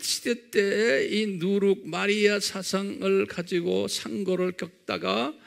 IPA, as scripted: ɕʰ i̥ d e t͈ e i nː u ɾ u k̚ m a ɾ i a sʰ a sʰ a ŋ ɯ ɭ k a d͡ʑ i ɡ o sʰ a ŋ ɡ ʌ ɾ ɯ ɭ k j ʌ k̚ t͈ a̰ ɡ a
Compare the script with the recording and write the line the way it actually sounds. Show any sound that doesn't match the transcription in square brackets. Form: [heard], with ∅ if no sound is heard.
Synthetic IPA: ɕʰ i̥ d e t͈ e i [n] u ɾ u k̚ m a ɾ i a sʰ a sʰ a ŋ ɯ ɭ k a d͡ʑ i ɡ o sʰ a ŋ ɡ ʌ ɾ ɯ ɭ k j ʌ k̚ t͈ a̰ ɡ a